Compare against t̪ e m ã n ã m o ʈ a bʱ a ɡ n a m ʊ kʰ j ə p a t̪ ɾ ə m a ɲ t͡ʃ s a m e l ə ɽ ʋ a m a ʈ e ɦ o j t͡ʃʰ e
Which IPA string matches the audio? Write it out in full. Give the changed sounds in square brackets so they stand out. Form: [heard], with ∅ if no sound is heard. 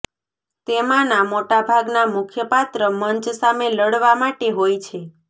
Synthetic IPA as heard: t̪ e m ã n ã m o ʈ a bʱ a ɡ n a m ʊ kʰ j ə p a t̪ ɾ ə m [ə] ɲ t͡ʃ s a m e l ə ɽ ʋ a m a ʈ e ɦ o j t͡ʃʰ e